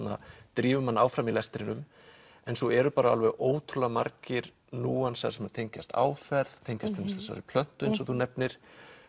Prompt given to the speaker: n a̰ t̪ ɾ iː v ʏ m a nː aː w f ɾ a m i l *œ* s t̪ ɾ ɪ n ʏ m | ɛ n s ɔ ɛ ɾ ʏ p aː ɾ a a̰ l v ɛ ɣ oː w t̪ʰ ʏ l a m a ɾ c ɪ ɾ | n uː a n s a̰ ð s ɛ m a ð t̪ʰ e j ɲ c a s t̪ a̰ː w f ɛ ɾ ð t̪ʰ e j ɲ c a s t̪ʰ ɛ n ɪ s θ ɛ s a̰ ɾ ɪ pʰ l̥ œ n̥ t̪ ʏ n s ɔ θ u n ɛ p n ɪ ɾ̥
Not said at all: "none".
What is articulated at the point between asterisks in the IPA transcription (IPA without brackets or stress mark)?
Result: ɛ